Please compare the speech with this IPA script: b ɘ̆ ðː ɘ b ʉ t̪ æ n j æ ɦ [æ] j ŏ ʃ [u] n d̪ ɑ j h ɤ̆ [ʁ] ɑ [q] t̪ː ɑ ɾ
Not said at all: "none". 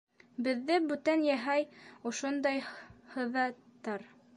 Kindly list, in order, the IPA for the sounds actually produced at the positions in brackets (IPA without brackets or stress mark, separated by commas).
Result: æ, o, ð, t